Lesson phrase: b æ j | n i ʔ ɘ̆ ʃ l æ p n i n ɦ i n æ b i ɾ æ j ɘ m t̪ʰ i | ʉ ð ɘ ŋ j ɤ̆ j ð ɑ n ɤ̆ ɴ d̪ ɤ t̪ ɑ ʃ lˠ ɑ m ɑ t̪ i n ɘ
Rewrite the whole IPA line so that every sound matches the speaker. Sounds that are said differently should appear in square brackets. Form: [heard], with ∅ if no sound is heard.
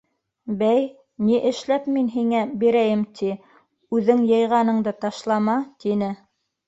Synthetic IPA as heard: b æ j | n i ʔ ɘ̆ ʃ l æ p [m] i n ɦ i [ŋ] æ b i ɾ æ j ɘ m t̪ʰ i | ʉ ð ɘ ŋ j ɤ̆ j [ʁ] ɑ n ɤ̆ ɴ d̪ ɤ t̪ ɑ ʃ lˠ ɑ m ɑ t̪ i n ɘ